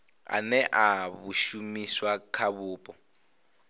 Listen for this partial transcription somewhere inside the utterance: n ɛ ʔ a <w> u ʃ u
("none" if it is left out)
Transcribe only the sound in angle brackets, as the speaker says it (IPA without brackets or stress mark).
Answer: β